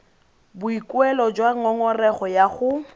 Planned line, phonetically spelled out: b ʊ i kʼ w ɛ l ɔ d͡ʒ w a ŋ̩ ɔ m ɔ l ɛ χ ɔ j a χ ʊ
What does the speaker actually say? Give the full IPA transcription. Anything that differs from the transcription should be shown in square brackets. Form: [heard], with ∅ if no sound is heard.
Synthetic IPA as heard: b ʊ i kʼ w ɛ l ɔ d͡ʒ w a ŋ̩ ɔ [ŋ] ɔ [r] ɛ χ ɔ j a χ ʊ